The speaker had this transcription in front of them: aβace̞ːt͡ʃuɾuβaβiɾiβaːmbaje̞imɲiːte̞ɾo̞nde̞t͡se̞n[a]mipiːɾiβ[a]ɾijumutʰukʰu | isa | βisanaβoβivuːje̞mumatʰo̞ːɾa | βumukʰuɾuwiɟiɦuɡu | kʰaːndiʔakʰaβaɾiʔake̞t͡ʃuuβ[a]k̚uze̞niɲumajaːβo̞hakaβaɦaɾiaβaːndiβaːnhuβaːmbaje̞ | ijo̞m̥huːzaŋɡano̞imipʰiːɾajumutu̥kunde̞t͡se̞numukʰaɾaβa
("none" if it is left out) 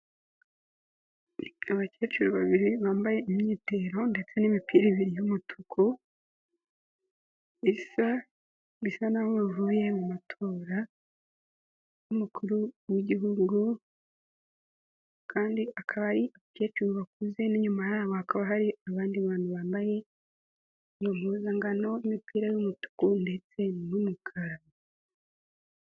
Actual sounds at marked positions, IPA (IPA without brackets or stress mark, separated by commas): i, i, a